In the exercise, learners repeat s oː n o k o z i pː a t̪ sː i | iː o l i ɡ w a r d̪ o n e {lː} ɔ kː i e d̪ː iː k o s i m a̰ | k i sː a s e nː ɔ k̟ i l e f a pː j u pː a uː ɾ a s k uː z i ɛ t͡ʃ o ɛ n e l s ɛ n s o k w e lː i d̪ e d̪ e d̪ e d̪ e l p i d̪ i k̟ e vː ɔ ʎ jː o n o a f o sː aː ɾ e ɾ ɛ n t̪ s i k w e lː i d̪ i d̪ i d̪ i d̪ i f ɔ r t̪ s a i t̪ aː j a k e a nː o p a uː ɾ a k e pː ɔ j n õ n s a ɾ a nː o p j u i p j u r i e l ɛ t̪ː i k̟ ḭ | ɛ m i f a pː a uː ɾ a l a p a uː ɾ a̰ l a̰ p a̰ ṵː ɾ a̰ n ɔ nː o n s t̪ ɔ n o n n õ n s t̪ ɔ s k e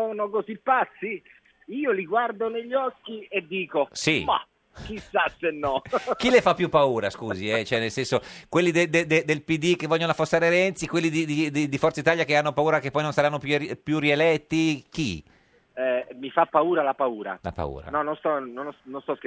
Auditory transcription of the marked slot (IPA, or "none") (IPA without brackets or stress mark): ʎː